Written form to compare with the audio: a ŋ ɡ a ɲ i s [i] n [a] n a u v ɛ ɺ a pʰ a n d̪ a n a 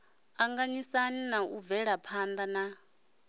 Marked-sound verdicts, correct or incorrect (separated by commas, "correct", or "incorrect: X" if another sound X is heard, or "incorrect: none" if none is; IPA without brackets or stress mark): incorrect: a, incorrect: i